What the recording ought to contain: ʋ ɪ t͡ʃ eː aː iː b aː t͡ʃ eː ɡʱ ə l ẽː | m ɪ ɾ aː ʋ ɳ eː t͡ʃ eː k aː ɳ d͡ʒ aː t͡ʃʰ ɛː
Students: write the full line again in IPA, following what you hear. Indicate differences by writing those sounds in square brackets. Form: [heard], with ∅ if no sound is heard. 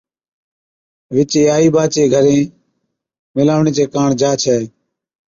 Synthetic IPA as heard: ʋ ɪ t͡ʃ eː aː iː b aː t͡ʃ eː ɡʱ ə [ɾ] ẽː | m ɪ [l] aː ʋ ɳ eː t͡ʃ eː k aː ɳ d͡ʒ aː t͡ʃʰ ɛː